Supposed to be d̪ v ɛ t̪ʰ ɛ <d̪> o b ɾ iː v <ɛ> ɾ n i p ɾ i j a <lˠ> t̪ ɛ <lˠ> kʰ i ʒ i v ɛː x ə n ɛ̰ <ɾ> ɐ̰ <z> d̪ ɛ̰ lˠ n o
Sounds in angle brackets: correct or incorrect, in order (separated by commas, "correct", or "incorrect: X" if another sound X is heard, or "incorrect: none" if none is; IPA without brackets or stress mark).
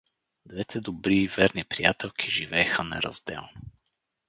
correct, correct, incorrect: none, correct, correct, correct